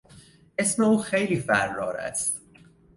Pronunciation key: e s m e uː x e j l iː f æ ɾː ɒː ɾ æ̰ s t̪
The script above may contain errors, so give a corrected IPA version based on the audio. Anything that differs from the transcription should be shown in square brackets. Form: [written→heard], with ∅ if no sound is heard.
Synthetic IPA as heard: e s m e uː x e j l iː f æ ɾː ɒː ɾ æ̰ s t̪